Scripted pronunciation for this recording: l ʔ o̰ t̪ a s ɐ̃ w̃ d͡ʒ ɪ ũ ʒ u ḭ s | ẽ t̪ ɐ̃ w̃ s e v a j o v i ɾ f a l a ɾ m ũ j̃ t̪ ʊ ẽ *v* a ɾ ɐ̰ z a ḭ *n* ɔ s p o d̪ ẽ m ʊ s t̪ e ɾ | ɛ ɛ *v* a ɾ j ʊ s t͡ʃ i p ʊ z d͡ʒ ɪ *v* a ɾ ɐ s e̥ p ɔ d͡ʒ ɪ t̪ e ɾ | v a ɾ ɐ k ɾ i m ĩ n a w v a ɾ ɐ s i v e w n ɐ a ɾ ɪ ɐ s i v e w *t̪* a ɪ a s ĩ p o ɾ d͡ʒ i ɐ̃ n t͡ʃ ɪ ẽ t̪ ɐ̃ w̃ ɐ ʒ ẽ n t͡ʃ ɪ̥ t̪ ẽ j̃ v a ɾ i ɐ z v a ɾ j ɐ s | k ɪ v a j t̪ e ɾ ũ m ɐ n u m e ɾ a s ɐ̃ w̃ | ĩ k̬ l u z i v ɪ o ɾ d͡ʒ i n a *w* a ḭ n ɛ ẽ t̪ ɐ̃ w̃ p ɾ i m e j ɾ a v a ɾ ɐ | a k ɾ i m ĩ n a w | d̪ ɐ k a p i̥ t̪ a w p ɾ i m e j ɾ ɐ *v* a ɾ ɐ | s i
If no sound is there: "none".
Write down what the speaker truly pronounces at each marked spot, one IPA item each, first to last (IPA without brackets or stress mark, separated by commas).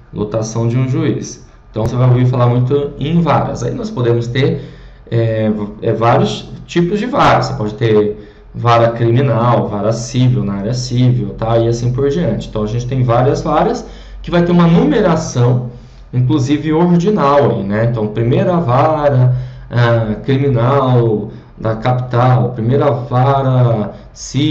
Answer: v, n, v, v, t̪, w, v